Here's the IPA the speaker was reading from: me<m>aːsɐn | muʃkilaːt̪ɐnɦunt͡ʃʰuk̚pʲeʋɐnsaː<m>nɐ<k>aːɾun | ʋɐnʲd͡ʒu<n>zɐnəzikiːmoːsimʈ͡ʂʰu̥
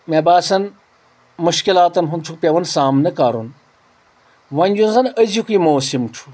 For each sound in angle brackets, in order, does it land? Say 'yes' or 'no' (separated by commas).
no, yes, yes, yes